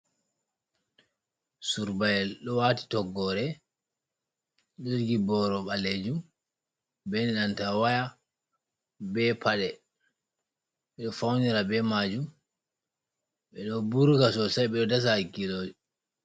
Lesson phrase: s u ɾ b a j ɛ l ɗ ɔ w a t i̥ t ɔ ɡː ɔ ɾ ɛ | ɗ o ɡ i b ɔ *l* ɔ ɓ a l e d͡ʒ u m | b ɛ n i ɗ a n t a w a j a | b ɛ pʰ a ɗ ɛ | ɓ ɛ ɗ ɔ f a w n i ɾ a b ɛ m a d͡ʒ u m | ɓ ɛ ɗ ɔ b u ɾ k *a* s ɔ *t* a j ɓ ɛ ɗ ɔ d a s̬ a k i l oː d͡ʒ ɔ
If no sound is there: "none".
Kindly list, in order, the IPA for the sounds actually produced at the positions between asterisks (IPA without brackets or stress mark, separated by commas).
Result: ɾ, a, s